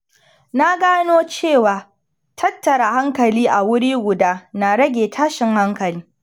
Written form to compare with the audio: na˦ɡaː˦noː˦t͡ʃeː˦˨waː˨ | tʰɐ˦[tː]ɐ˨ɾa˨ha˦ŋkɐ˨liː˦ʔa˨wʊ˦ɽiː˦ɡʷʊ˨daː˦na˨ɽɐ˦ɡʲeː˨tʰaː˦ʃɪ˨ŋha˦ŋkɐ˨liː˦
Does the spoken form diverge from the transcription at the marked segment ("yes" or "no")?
no